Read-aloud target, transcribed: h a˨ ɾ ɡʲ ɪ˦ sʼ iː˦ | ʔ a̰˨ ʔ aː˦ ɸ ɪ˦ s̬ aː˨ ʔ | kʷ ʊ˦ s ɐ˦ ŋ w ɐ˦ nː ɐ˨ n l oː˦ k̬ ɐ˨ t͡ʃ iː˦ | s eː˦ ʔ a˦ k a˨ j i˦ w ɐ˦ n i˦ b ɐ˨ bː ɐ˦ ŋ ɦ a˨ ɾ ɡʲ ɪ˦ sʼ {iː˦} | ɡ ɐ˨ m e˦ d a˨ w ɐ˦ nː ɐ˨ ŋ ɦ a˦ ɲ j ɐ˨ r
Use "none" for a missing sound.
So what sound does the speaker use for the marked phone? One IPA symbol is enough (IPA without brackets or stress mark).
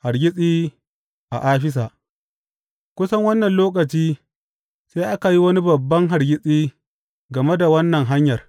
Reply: iː˦